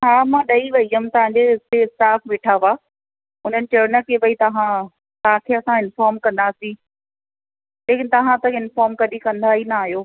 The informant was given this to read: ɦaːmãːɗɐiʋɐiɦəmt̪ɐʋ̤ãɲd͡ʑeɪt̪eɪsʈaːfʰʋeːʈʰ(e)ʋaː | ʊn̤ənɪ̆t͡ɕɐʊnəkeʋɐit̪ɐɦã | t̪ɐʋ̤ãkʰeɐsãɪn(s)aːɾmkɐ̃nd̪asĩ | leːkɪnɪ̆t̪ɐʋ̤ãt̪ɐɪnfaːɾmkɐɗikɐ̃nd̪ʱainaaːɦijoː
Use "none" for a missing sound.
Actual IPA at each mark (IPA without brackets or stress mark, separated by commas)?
a, f